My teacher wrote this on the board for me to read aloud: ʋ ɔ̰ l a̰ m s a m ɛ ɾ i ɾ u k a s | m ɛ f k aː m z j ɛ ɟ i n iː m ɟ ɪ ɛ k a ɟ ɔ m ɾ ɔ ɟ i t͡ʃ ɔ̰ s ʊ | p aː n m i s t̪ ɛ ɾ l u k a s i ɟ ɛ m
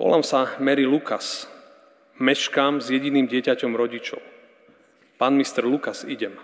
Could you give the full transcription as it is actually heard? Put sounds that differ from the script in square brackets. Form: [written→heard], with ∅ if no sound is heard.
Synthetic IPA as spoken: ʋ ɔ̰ l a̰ m s a m ɛ ɾ i [ɾ→l] u k a s | m ɛ [f→ʃ] k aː m z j ɛ ɟ i n iː m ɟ ɪ ɛ [k→c] a [ɟ→c] ɔ m ɾ ɔ ɟ i t͡ʃ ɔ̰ [s→∅] ʊ | p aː n m i s t̪ ɛ ɾ l u k a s i ɟ ɛ m